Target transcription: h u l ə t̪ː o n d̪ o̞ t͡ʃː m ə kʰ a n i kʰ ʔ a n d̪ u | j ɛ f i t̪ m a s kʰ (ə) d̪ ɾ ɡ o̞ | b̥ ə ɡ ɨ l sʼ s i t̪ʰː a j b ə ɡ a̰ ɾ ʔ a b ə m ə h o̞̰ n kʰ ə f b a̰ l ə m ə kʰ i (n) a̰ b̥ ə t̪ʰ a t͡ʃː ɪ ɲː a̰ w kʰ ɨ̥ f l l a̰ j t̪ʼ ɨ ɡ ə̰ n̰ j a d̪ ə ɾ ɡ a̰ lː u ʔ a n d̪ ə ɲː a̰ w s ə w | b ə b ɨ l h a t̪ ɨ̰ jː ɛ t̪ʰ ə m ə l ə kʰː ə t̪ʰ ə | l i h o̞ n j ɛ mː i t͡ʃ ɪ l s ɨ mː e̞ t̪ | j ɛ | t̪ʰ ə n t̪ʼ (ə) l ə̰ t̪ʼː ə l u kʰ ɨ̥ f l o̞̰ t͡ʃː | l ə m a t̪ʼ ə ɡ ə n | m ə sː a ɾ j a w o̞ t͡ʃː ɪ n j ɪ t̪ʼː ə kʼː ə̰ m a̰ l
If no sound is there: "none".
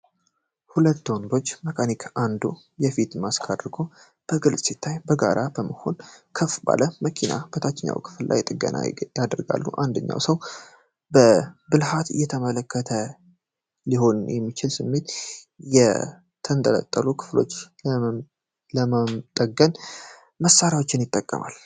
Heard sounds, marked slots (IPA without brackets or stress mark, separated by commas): a, n, ə